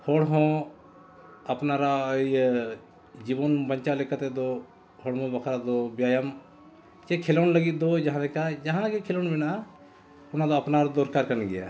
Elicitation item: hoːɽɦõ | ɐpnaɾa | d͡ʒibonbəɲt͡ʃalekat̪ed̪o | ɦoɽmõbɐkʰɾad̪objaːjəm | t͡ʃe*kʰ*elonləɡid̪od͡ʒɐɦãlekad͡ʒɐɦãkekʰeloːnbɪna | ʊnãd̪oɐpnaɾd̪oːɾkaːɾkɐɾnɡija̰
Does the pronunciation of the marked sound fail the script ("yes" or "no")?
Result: no